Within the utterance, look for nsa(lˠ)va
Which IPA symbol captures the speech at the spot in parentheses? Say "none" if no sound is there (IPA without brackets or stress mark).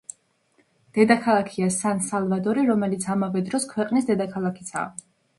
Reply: lˠ